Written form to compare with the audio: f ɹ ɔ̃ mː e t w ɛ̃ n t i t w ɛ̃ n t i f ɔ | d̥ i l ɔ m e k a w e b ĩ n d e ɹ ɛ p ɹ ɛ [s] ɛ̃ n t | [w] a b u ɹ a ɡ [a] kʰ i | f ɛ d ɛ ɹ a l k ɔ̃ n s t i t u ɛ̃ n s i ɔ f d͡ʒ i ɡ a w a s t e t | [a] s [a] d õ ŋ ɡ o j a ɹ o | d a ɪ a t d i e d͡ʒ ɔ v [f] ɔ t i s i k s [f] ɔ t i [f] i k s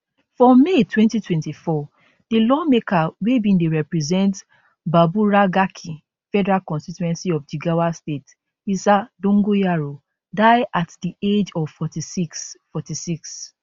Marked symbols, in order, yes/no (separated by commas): no, no, yes, no, yes, yes, yes, no